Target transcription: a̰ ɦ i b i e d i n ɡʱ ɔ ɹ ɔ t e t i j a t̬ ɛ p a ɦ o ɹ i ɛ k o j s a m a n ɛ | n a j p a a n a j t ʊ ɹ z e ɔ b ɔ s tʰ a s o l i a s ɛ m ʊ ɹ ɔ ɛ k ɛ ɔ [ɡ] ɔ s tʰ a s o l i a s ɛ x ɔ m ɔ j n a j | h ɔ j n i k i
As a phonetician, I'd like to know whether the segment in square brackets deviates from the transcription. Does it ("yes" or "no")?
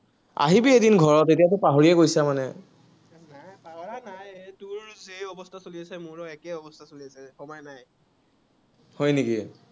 yes